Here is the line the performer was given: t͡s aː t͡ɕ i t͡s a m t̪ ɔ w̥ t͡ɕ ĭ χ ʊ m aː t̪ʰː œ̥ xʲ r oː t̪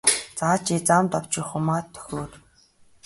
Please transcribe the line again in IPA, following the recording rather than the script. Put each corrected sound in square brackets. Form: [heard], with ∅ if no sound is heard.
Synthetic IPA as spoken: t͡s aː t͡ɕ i t͡s a m t̪ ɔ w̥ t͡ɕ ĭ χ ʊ m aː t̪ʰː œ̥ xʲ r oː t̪